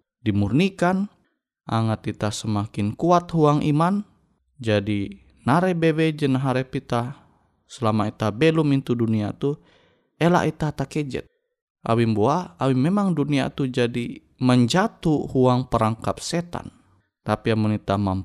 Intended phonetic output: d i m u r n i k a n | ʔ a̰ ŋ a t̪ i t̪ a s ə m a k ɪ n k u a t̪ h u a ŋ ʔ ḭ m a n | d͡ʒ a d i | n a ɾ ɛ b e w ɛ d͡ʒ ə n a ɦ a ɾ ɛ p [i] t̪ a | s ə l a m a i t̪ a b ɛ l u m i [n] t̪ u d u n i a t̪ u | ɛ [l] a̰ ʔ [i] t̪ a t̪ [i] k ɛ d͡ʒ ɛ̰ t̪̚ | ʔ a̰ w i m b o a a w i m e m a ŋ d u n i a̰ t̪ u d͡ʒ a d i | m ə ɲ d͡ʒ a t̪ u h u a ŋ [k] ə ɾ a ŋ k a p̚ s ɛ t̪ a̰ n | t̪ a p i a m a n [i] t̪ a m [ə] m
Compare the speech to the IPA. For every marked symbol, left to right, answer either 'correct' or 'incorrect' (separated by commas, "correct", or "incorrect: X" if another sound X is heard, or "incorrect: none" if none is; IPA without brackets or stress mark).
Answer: correct, correct, correct, correct, incorrect: a, incorrect: p, correct, incorrect: a